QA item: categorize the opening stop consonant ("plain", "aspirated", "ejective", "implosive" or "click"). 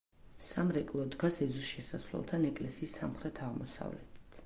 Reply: ejective